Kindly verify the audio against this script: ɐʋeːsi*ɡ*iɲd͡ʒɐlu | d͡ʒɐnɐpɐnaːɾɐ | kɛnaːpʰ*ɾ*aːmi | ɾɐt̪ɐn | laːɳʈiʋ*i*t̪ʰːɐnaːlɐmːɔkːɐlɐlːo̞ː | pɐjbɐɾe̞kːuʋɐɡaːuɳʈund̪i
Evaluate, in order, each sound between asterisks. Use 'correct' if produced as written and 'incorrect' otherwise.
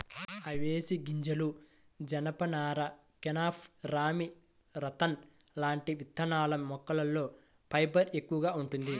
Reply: correct, correct, correct

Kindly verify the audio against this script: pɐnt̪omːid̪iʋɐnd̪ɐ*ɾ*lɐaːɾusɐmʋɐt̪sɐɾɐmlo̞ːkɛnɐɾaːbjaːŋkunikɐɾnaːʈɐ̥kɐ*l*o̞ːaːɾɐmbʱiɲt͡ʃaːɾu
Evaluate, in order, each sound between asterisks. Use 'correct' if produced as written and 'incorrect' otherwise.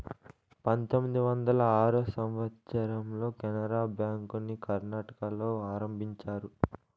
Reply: incorrect: none, correct

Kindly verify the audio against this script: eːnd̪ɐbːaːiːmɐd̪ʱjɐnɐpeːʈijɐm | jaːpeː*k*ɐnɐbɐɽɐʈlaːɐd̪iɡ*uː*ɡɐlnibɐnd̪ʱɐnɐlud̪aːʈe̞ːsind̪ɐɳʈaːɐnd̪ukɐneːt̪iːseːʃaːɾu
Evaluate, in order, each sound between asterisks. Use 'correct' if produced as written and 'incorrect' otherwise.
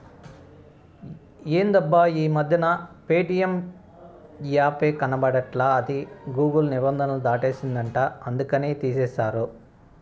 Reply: correct, correct

